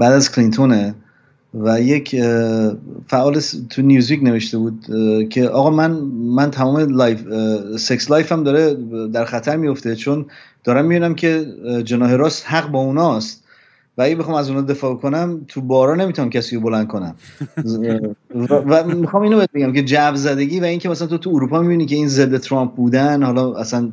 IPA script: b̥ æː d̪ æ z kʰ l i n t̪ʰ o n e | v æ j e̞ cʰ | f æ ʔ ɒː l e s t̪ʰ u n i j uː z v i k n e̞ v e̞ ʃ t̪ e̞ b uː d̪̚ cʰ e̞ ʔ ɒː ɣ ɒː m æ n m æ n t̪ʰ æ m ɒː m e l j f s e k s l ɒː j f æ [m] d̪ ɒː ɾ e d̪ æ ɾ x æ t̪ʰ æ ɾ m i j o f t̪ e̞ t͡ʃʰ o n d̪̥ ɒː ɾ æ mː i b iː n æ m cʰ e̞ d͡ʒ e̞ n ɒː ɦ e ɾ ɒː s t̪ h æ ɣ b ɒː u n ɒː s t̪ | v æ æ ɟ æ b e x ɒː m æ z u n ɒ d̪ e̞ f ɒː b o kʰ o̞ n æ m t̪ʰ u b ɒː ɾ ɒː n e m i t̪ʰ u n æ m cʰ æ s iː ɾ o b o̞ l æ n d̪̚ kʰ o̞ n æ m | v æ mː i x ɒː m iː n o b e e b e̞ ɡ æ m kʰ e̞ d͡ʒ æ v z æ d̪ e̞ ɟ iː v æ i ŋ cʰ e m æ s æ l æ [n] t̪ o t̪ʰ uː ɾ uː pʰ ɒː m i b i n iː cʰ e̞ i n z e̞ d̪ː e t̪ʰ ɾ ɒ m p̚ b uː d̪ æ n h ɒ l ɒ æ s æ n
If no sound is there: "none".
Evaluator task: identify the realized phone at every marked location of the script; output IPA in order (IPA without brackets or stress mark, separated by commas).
m, n